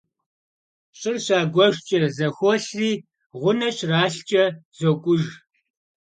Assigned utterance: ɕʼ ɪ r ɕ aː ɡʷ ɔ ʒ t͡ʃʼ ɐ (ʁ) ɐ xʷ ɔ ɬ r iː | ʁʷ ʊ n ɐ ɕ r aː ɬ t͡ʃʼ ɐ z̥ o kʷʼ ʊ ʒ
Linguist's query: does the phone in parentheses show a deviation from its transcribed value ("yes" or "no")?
yes